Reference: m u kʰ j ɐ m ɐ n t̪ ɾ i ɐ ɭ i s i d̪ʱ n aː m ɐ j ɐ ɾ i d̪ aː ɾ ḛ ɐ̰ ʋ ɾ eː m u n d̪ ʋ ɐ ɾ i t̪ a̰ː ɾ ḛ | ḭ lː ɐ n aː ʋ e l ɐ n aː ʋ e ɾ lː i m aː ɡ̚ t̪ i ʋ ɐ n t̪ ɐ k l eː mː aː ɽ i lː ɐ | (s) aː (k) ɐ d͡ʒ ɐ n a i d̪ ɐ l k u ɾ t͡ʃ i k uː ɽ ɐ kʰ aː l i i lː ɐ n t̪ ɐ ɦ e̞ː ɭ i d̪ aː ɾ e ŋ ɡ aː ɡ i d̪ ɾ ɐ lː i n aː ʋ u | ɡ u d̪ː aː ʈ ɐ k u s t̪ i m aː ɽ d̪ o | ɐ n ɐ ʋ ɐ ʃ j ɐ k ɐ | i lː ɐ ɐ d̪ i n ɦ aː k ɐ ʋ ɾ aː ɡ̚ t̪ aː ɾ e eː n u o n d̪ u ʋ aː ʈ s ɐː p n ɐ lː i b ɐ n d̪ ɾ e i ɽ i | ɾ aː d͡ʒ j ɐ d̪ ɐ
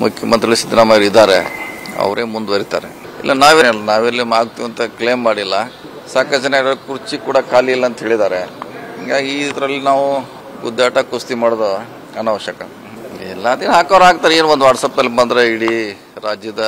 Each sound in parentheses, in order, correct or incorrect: correct, correct

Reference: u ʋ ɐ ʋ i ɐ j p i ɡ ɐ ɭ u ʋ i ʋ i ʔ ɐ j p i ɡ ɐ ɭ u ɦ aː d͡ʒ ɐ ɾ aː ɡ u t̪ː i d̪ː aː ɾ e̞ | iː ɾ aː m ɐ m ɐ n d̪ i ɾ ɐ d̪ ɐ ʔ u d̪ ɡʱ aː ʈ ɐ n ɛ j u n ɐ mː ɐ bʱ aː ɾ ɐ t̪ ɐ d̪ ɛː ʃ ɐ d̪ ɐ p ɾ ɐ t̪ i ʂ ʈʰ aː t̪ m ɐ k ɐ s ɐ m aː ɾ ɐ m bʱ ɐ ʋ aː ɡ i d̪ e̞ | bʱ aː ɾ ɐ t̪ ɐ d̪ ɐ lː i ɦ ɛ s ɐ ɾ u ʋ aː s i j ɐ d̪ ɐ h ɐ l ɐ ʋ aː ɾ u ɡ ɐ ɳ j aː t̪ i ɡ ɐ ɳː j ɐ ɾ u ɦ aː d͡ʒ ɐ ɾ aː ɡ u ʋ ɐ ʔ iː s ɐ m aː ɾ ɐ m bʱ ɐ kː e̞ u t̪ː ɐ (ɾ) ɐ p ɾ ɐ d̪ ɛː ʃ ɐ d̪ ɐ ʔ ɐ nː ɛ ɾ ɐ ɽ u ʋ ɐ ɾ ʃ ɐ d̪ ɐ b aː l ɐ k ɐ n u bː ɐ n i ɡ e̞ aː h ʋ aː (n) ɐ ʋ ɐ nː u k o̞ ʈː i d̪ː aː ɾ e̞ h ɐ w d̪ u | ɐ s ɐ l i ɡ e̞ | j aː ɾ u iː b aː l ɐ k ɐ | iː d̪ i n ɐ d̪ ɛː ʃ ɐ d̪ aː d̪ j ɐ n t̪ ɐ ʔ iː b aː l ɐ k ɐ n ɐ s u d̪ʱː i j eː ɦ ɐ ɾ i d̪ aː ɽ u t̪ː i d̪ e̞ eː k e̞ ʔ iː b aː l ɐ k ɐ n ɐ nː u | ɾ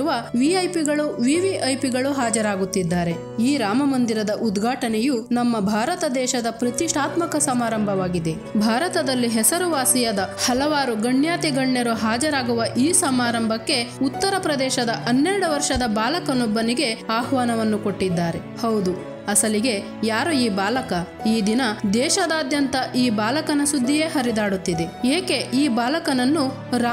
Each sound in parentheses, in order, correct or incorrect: correct, correct

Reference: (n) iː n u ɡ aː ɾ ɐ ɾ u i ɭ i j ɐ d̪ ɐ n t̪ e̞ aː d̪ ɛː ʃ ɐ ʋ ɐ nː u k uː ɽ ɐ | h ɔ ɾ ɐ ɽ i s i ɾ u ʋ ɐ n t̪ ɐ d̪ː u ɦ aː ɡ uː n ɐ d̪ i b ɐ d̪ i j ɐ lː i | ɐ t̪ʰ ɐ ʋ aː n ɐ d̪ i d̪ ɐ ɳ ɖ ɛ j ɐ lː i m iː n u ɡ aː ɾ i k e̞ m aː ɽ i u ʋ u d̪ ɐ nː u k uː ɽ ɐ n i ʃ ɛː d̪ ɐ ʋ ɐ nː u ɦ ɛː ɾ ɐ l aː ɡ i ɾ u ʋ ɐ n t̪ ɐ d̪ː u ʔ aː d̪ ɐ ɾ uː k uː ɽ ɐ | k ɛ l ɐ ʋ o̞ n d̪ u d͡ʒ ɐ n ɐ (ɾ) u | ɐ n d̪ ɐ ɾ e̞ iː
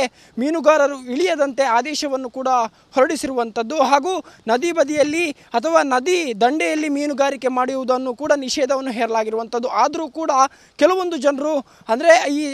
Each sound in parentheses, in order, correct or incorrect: incorrect, correct

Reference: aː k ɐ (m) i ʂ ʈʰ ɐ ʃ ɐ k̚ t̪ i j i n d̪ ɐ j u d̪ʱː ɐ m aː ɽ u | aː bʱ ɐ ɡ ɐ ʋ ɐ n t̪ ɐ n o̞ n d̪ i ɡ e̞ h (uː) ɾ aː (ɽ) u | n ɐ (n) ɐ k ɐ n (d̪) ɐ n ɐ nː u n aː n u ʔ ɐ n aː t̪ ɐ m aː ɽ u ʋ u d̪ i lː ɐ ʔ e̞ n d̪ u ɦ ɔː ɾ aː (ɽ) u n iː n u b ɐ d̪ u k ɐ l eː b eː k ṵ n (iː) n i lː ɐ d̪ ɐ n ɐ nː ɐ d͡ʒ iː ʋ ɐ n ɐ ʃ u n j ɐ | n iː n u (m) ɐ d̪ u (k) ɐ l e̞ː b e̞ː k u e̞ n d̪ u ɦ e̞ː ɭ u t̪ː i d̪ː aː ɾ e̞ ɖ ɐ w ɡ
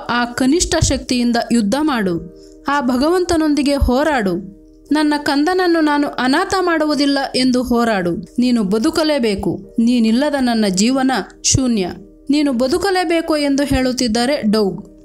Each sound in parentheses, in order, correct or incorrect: incorrect, incorrect, correct, incorrect, correct, correct, correct, incorrect, correct

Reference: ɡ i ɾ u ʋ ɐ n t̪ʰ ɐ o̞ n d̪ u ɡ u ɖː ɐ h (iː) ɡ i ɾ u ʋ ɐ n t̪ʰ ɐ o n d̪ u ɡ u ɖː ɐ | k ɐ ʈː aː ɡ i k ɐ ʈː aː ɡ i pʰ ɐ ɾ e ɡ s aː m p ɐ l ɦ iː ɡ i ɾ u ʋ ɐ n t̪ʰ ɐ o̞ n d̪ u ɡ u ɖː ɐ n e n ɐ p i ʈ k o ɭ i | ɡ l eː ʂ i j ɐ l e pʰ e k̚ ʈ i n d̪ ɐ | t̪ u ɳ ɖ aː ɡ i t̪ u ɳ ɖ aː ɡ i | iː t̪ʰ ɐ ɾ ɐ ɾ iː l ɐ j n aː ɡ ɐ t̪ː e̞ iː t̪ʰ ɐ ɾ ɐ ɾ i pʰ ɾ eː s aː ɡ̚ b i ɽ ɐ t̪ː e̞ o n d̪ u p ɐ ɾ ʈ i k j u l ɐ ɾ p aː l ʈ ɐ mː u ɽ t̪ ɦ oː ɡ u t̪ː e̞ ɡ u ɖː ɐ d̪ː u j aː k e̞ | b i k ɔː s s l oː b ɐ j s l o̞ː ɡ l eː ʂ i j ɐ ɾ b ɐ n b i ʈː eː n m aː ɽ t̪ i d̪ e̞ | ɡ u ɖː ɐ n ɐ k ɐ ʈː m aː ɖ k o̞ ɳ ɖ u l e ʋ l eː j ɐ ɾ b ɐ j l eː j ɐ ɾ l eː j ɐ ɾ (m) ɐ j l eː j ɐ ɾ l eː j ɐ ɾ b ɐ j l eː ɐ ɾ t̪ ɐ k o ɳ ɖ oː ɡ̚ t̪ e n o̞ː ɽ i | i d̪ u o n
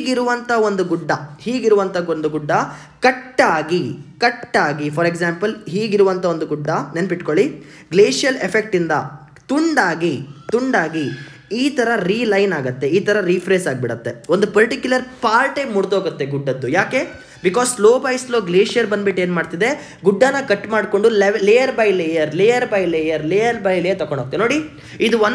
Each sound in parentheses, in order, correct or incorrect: correct, incorrect

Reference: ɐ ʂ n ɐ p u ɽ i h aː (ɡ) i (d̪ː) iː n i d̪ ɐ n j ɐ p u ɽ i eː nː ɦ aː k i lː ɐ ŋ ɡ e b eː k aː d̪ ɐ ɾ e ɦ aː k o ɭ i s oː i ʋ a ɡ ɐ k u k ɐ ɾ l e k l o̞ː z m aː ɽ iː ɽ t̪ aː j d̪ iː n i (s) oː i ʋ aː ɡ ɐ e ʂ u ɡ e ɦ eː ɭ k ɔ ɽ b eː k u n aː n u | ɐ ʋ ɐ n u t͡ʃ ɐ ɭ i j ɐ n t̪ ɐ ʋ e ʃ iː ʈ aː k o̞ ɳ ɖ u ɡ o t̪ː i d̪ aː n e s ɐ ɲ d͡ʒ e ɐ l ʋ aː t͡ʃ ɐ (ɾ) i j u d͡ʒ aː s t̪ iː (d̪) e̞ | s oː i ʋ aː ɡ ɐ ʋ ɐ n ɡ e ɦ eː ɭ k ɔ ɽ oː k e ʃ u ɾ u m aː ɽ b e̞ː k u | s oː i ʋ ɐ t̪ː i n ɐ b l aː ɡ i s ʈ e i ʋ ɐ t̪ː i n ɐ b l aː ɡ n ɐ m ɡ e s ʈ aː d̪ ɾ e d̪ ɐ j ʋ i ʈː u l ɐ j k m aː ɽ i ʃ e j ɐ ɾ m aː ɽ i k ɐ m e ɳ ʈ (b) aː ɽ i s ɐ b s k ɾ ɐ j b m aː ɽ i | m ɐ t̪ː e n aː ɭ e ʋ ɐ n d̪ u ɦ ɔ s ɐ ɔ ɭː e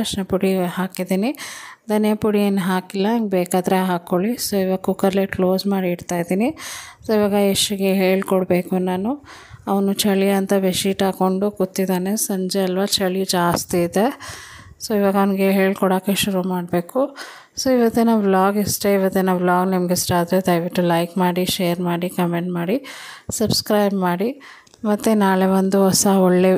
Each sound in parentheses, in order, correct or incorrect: incorrect, incorrect, correct, incorrect, correct, incorrect

